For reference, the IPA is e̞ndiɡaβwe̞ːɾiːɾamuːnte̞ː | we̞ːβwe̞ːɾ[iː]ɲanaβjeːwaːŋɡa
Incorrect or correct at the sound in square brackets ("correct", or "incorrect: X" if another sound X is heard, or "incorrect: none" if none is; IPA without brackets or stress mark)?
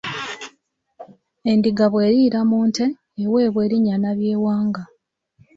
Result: incorrect: i